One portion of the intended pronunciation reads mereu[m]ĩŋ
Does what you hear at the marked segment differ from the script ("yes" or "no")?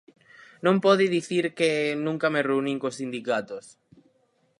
yes